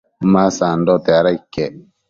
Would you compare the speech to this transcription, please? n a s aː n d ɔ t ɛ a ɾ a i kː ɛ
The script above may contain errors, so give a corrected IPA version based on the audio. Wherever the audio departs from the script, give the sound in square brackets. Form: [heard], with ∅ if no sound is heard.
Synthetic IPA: [m] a s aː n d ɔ t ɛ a ɾ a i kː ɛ